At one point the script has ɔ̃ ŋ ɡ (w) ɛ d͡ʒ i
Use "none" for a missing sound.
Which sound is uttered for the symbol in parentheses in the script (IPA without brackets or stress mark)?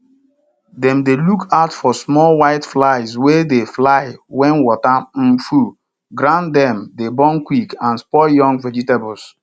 v